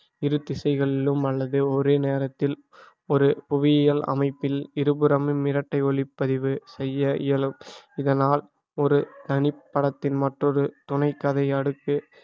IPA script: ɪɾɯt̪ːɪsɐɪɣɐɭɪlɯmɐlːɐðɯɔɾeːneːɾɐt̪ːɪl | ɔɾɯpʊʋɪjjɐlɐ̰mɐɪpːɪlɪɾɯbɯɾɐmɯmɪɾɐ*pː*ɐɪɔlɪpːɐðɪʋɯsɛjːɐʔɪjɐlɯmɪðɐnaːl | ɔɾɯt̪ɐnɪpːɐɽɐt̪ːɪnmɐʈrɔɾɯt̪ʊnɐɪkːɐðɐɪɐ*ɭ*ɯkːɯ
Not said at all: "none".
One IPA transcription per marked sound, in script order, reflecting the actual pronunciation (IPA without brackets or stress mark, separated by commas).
ʈː, ɽ